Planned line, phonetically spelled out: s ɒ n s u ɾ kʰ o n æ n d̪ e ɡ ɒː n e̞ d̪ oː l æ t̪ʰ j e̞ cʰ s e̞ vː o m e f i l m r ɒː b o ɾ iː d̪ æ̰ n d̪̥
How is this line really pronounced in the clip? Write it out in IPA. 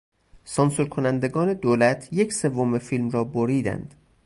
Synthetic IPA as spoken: s ɒ n s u ɾ kʰ o n æ n d̪ e ɡ ɒː n e̞ d̪ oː l æ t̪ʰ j e̞ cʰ s e̞ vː o m e f i l m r ɒː b o ɾ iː d̪ æ̰ n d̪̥